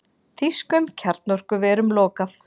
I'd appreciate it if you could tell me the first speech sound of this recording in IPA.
θ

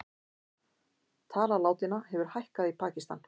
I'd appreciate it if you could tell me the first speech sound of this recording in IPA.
t̪ʰ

